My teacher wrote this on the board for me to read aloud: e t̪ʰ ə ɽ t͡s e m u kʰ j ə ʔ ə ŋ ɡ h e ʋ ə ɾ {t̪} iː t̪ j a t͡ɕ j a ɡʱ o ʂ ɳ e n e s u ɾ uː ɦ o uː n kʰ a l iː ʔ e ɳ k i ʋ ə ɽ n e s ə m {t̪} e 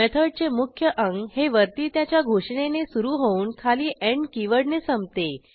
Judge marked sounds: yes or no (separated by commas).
yes, yes